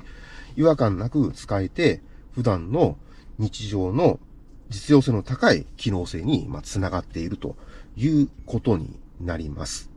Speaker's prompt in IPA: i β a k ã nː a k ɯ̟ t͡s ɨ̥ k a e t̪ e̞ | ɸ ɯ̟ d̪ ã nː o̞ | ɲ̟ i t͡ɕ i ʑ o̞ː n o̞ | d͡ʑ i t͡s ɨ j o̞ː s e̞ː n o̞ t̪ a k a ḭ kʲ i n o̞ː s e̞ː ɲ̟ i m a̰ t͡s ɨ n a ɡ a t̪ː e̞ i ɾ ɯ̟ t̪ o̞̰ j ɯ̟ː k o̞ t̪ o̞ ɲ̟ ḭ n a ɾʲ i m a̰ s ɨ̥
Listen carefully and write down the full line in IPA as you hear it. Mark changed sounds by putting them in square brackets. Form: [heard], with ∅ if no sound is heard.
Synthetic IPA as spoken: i β a k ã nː a k ɯ̟ t͡s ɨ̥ k a e t̪ e̞ | ɸ ɯ̟ d̪ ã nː o̞ | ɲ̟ i t͡ɕ i ʑ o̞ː n o̞ | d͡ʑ i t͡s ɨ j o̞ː s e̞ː n o̞ t̪ a k a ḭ kʲ i n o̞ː s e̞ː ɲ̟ i m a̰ t͡s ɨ n a ɡ a t̪ː e̞ i ɾ ɯ̟ t̪ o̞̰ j ɯ̟ː k o̞ t̪ o̞ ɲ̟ ḭ n a ɾʲ i m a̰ s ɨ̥